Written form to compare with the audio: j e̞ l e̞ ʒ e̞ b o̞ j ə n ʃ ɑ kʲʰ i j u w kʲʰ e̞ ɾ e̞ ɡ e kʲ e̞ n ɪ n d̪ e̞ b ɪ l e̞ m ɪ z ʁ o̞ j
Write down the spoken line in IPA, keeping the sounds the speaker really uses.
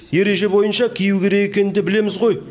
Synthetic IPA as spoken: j e̞ ɾ e̞ ʒ e̞ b o̞ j ə n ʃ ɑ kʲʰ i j u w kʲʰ e̞ ɾ e̞ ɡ e kʲ e̞ n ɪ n d̪ e̞ b ɪ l e̞ m ɪ z ʁ o̞ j